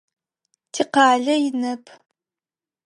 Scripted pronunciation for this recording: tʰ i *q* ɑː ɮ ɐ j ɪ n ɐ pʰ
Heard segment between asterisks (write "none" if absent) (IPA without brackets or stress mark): q